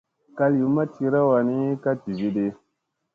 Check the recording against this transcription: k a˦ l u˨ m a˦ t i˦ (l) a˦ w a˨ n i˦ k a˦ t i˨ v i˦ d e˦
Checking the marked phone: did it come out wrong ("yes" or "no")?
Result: yes